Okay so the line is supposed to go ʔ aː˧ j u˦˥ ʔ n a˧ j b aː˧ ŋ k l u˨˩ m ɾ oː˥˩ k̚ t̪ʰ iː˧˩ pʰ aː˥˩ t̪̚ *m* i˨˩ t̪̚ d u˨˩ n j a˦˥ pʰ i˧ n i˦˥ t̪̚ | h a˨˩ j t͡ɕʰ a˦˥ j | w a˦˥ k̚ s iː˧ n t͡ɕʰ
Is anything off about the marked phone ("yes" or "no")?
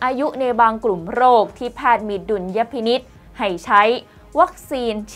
no